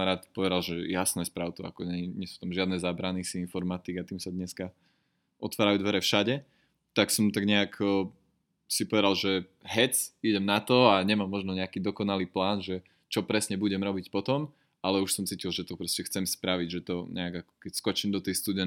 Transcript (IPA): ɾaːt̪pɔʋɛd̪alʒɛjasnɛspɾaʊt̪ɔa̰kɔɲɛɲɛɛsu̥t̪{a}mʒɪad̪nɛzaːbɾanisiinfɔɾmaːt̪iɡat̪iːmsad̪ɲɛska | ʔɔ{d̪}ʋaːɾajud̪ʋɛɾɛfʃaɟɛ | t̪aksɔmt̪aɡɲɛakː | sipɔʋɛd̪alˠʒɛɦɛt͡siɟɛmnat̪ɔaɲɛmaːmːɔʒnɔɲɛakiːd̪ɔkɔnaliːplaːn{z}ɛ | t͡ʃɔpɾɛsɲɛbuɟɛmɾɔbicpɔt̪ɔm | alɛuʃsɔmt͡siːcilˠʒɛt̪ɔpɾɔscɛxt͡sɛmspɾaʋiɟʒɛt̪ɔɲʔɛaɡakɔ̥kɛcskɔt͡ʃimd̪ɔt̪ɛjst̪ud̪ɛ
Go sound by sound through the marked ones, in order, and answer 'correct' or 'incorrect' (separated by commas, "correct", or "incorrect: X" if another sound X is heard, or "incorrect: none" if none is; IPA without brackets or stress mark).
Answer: correct, incorrect: t̪, incorrect: ʒ